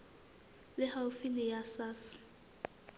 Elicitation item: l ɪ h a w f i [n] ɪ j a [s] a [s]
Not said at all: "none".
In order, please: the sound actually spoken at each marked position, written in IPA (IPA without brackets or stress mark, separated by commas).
n, s, s